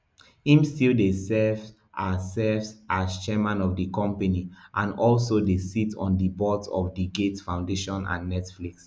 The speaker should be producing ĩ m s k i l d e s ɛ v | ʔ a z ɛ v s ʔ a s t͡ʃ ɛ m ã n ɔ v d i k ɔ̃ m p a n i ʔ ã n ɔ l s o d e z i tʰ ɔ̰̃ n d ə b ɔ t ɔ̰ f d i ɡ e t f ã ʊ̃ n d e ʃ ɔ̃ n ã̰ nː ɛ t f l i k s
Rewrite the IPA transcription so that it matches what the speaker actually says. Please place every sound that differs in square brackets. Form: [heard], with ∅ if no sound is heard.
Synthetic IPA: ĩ m s [t] i l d e s ɛ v | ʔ a [s] ɛ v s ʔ a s t͡ʃ ɛ m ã n ɔ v d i k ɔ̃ m p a n i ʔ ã n ɔ l s o d e [s] i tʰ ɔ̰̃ n d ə b ɔ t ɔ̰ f d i ɡ e t f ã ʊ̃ n d e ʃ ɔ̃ n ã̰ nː ɛ t f l i k s